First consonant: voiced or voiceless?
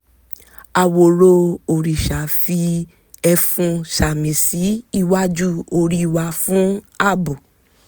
voiced